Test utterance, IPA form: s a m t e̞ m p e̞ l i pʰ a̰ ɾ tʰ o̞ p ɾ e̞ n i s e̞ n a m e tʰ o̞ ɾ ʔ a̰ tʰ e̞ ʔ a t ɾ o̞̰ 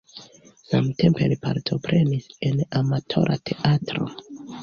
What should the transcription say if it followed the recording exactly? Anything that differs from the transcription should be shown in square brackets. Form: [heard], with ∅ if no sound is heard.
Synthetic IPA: s a m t e̞ m p e̞ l i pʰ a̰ ɾ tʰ o̞ p ɾ e̞ n i s e̞ n a m [a] tʰ o̞ ɾ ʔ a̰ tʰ e̞ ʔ a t ɾ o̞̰